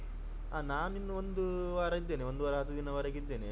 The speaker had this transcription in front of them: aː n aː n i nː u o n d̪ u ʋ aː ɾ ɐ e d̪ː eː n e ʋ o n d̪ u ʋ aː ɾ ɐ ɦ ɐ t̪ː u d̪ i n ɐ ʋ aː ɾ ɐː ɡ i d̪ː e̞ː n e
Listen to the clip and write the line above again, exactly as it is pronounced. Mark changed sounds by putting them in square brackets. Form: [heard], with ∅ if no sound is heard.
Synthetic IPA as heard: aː n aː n i nː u o n d̪ u ʋ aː ɾ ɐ [i] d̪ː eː n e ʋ o n d̪ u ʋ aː ɾ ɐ ɦ ɐ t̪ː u d̪ i n ɐ ʋ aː ɾ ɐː ɡ i d̪ː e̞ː n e